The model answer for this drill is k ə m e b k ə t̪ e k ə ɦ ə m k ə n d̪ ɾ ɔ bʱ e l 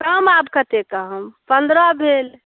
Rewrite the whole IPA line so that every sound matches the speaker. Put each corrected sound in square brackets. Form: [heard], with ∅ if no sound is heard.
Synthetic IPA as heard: k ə m [a] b k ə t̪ e k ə ɦ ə m [p] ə n d̪ ɾ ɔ bʱ e l